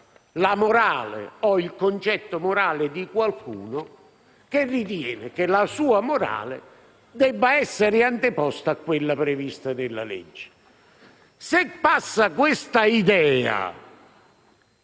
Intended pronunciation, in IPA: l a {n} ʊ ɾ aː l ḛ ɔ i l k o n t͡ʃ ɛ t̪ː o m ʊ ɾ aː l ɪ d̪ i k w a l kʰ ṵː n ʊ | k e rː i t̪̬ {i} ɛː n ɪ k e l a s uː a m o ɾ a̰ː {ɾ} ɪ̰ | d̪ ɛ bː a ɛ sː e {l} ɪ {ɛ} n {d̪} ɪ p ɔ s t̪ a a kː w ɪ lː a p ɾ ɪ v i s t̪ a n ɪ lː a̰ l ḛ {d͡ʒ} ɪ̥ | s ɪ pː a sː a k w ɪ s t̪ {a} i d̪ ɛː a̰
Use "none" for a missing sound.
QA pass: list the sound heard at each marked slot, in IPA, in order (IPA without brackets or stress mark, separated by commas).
m, j, l, ɾ, a, t̪, d͡ʒː, a